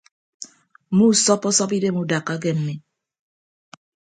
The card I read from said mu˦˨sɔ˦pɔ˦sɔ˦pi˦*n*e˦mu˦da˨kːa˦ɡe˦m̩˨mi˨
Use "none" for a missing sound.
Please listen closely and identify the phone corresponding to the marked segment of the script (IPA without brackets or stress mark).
d